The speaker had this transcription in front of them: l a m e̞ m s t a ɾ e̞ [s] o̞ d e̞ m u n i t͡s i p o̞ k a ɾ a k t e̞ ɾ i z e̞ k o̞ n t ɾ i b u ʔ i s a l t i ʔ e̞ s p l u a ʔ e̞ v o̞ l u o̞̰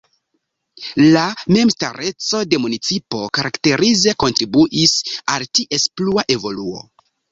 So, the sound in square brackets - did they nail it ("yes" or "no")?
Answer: no